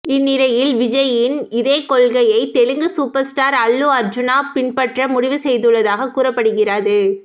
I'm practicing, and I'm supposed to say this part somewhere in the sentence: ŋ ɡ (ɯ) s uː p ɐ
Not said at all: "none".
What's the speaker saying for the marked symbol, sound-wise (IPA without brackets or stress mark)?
ɯ